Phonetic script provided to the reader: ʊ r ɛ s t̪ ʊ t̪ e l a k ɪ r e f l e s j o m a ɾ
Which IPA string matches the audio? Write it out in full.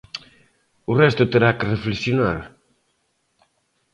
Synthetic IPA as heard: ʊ r ɛ s t̪ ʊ t̪ e ɾ a k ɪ r e f l e s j o n a ɾ